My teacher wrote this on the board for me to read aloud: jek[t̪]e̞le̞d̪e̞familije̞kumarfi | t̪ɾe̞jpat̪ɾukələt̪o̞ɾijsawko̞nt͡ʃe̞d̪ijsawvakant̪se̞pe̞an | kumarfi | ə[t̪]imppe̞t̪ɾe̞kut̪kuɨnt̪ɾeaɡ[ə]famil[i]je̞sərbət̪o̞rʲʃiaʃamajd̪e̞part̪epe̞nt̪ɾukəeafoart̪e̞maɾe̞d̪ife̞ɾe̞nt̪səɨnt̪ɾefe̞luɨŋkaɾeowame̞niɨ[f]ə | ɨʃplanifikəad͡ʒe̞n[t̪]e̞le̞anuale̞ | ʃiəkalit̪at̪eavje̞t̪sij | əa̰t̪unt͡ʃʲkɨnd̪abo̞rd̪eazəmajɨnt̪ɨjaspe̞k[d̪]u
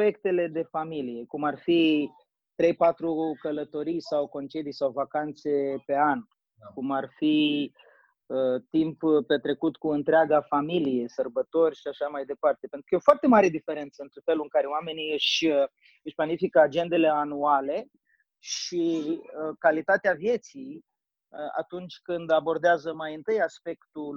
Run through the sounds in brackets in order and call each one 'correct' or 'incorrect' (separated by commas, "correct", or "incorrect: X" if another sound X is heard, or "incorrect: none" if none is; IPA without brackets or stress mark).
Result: correct, correct, incorrect: a, correct, incorrect: ʃ, incorrect: d̪, incorrect: t̪